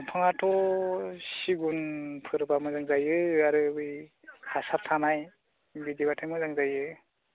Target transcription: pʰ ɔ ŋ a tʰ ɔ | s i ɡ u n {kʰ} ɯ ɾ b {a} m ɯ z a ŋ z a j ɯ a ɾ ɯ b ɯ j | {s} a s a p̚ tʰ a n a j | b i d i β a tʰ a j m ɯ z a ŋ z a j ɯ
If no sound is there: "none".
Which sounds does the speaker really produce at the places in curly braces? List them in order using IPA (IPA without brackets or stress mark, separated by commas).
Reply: pʰ, a, h